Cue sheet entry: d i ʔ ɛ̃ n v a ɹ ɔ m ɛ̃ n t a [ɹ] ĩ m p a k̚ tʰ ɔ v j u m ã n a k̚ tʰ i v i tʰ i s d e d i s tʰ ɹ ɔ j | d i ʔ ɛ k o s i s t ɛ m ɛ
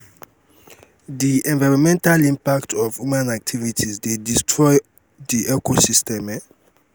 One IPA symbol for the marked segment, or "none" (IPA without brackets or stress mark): l